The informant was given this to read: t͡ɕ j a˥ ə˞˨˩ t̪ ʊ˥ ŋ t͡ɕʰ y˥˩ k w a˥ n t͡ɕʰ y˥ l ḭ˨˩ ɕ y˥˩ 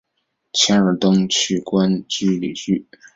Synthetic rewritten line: t͡ɕʰ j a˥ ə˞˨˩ t̪ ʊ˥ ŋ t͡ɕʰ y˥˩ k w a˥ n t͡ɕ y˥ l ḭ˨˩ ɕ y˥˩